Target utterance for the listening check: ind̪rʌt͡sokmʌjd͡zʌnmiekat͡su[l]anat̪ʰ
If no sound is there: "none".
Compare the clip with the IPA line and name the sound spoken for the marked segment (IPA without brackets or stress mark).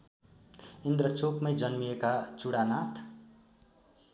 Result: ɽ